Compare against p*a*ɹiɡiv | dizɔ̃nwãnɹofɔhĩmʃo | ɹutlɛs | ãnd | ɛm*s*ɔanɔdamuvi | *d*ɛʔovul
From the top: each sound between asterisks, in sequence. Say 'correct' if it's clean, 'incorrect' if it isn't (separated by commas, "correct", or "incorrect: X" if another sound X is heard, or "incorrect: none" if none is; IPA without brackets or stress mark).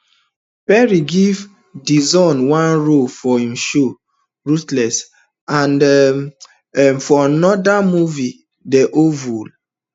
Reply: incorrect: ɛ, incorrect: f, correct